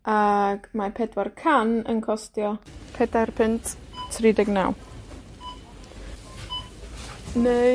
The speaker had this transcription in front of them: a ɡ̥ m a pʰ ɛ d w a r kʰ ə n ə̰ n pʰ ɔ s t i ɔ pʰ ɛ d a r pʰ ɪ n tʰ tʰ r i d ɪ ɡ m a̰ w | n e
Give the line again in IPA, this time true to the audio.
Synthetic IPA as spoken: a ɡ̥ m a pʰ ɛ d w a r kʰ a n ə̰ n kʰ ɔ s t j ɔ pʰ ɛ d a r pʰ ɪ n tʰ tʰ r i d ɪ ɡ n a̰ w | n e